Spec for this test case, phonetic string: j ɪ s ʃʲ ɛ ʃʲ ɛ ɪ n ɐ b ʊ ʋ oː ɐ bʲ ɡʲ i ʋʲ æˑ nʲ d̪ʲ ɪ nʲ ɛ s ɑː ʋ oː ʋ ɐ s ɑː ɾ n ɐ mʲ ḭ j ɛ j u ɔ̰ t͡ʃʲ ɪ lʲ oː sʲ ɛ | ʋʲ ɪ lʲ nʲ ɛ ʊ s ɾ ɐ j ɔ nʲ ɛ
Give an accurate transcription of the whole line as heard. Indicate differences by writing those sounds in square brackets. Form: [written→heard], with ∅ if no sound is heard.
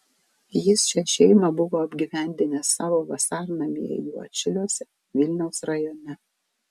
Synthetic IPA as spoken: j ɪ s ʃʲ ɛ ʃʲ ɛ ɪ [n→m] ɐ b ʊ ʋ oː ɐ bʲ ɡʲ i ʋʲ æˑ nʲ d̪ʲ ɪ nʲ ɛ s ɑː ʋ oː ʋ ɐ s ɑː ɾ n ɐ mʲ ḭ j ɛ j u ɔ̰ t͡ʃʲ ɪ lʲ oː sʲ ɛ | ʋʲ ɪ lʲ nʲ ɛ ʊ s ɾ ɐ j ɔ nʲ ɛ